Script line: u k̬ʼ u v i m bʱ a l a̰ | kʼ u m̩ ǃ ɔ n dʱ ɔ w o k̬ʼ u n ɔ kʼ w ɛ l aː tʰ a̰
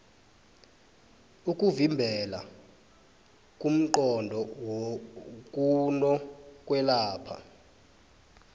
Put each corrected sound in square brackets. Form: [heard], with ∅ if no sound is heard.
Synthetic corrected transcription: u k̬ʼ u v i m bʱ [ɛ] l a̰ | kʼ u m̩ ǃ ɔ n dʱ ɔ w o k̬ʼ u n ɔ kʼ w ɛ l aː [pʰ] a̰